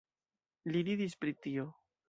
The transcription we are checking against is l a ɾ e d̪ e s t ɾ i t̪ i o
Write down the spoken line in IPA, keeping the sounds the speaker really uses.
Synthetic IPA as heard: l i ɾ i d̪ i s p ɾ i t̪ i o